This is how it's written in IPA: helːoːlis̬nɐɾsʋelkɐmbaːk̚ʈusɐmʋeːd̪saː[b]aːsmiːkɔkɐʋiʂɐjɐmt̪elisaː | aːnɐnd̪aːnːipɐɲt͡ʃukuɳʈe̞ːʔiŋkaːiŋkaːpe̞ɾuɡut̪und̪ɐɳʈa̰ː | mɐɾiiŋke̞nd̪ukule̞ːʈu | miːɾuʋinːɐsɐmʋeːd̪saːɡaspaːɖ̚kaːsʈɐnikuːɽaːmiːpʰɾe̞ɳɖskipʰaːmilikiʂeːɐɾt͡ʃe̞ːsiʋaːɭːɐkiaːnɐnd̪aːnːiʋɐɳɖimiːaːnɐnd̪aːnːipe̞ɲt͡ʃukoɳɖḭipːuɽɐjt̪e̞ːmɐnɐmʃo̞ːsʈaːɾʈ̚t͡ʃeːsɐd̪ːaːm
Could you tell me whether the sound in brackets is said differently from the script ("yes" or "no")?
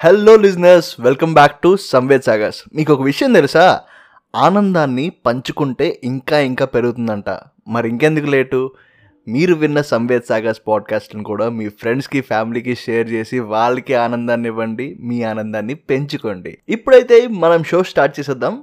yes